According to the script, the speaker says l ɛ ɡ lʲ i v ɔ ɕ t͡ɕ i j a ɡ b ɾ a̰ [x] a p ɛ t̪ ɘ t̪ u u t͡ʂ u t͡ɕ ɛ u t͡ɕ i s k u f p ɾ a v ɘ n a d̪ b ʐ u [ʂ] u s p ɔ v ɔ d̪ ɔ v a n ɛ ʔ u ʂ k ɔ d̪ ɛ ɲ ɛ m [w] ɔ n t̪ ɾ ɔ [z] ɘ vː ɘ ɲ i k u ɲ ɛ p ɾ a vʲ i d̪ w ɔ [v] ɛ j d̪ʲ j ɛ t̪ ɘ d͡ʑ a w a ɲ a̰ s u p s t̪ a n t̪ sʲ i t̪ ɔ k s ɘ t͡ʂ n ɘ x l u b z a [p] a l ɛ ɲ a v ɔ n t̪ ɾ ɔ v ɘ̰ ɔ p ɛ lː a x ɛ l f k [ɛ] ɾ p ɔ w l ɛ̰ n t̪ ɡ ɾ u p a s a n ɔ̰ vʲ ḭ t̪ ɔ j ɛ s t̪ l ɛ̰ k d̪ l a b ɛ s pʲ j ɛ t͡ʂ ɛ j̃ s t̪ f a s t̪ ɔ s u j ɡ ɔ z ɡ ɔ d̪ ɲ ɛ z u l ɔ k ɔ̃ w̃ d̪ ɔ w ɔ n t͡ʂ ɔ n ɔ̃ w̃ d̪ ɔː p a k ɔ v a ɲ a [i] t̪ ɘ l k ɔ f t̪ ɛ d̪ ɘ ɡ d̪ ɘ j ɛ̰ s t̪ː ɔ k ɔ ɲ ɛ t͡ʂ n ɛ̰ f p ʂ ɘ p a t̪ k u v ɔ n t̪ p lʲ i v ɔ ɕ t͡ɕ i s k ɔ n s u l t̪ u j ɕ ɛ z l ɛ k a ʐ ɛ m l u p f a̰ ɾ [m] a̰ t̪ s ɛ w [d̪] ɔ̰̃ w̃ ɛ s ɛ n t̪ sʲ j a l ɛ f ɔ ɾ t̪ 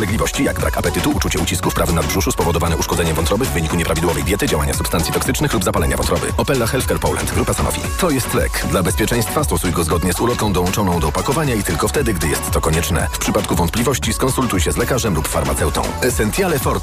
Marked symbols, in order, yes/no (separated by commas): no, yes, no, no, yes, yes, yes, yes, yes, no